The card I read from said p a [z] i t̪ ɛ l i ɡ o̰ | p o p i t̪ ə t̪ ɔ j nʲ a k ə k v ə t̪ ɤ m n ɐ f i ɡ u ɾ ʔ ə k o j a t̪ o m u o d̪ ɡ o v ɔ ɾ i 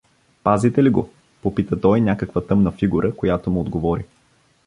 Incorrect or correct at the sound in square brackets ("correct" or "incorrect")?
correct